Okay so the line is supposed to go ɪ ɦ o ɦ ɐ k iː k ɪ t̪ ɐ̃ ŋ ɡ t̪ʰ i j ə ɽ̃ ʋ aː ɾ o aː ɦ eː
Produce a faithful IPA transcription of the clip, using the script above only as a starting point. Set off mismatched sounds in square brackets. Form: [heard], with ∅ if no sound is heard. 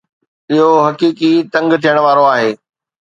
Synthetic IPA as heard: ɪ ɦ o ɦ ɐ k iː k [i] t̪ ɐ̃ ŋ ɡ t̪ʰ i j ə ɽ̃ ʋ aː ɾ o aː ɦ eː

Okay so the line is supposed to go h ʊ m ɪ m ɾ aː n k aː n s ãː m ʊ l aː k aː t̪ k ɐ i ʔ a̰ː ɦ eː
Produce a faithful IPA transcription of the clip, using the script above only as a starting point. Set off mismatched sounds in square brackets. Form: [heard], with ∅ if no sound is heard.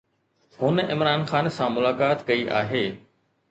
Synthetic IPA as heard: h ʊ [n] ɪ m ɾ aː n [x] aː n s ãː m ʊ l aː k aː t̪ k ɐ i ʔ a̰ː ɦ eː

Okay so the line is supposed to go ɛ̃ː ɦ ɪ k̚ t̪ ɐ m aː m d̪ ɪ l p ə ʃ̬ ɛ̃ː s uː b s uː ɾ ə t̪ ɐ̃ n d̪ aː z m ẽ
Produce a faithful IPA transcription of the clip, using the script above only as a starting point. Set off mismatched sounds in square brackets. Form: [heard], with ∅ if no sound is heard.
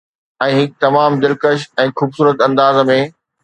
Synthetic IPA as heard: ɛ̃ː ɦ ɪ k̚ t̪ ɐ m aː m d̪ ɪ l [k] ə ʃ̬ ɛ̃ː [x] uː b s uː ɾ ə t̪ ɐ̃ n d̪ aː z m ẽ

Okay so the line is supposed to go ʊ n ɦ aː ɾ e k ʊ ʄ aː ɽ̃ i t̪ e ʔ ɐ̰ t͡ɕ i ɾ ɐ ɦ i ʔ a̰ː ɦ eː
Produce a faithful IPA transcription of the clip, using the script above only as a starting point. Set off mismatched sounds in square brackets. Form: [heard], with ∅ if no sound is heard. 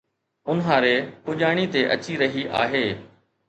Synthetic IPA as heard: ʊ n ɦ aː ɾ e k ʊ ʄ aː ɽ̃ i t̪ e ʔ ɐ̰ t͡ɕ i ɾ ɐ ɦ i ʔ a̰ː ɦ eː

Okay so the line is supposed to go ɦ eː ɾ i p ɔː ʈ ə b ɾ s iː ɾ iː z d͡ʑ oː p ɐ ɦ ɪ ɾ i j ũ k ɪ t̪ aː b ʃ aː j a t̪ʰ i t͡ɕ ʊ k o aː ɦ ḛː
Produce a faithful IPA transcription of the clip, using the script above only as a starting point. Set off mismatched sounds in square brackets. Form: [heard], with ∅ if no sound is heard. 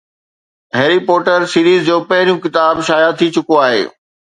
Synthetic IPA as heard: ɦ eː ɾ i p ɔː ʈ ə [∅] ɾ s iː ɾ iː z d͡ʑ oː p ɐ ɦ ɪ ɾ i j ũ k ɪ t̪ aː b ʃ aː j a t̪ʰ i t͡ɕ ʊ k o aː ɦ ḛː

